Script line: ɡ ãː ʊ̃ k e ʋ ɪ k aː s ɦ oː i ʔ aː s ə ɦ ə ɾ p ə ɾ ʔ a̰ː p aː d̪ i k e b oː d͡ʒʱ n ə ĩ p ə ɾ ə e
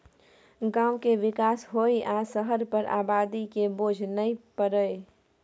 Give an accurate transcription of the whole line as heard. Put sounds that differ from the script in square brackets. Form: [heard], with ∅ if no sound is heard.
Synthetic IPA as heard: ɡ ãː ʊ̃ k e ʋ ɪ k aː s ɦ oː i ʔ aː s ə ɦ ə ɾ p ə ɾ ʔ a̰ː [b] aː d̪ i k e b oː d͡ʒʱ n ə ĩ p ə ɾ ə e